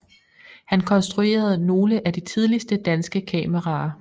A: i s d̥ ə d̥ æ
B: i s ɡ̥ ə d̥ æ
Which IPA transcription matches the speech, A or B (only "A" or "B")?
A